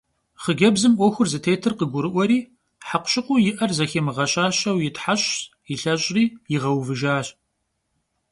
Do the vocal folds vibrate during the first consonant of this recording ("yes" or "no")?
no